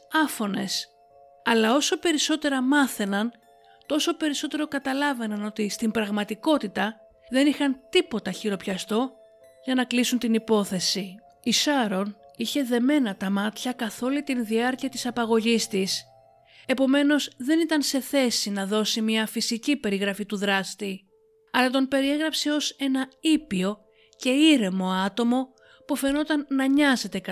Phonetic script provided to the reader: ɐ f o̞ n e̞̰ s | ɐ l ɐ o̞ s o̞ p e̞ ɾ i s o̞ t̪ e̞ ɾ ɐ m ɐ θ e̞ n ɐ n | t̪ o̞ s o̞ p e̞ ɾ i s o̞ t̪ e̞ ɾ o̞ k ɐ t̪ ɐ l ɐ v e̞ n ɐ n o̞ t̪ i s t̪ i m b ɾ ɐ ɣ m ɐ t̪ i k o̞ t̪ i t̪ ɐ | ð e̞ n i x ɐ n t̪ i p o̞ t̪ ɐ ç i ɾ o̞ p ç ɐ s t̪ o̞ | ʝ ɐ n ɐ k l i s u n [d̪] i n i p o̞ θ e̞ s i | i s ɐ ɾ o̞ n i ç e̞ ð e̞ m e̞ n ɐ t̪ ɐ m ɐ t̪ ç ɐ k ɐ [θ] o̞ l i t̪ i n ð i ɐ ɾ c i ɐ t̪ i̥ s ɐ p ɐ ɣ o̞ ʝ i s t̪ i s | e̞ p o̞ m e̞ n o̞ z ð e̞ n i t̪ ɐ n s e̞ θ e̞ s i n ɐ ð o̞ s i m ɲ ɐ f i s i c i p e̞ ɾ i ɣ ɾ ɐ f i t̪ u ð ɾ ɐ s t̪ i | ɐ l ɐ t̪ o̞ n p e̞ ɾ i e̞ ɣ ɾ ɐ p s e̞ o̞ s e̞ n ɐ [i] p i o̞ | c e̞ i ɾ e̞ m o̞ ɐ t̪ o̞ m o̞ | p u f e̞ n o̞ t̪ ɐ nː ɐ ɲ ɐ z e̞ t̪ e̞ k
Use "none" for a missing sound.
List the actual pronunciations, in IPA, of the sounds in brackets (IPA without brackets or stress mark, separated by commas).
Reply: t̪, θ, i